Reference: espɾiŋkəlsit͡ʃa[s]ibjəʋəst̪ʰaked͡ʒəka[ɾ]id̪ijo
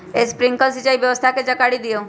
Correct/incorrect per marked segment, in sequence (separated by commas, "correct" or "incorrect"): incorrect, incorrect